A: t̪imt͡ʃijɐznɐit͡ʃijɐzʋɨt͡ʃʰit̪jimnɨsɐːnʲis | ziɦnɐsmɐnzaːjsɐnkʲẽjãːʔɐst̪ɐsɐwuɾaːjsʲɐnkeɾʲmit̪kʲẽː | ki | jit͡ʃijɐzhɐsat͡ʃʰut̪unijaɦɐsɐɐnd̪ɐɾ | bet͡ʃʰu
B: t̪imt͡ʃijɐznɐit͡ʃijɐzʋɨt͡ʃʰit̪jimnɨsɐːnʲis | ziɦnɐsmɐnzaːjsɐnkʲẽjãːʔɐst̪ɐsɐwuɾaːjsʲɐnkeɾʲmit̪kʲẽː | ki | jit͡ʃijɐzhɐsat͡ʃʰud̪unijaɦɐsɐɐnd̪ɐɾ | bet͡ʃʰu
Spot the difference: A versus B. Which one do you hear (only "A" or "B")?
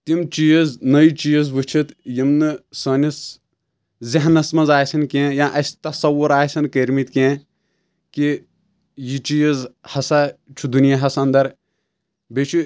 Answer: B